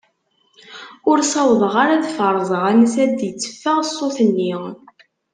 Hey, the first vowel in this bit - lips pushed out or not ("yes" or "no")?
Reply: yes